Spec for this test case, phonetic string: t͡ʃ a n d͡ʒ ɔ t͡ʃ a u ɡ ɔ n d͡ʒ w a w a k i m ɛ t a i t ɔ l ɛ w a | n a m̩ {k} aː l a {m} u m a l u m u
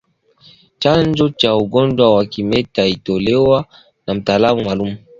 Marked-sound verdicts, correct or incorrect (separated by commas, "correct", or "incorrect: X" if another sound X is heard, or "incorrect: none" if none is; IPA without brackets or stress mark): incorrect: t, correct